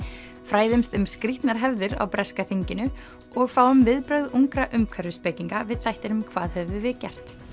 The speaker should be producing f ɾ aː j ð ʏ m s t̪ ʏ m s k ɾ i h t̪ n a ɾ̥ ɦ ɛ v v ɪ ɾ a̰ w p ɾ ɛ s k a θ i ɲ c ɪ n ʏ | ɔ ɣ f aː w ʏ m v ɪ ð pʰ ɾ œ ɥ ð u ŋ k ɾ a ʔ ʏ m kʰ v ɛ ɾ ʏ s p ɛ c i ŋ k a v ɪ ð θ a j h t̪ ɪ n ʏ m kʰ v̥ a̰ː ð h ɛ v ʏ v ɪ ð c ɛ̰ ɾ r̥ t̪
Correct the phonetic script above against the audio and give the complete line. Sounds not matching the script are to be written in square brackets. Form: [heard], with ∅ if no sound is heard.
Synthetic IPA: f ɾ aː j ð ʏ m s t̪ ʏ m s k ɾ i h t̪ n a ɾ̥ ɦ ɛ v [ð] ɪ ɾ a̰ w p ɾ ɛ s k a θ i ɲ c ɪ n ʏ | ɔ ɣ f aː w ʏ m v ɪ ð [p] ɾ œ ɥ ð u ŋ k ɾ a ʔ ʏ m kʰ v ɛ ɾ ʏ s p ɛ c i ŋ k a v ɪ ð θ a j h t̪ ɪ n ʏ m kʰ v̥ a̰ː ð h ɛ v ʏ v ɪ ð c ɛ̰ [∅] r̥ t̪